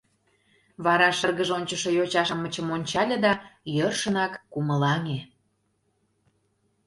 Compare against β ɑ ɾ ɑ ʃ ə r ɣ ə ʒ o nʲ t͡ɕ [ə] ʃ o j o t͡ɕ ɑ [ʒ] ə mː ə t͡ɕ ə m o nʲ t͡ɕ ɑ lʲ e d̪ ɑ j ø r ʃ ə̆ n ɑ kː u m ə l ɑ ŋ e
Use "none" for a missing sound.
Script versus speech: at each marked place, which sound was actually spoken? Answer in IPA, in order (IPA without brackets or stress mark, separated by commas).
ə, ʃ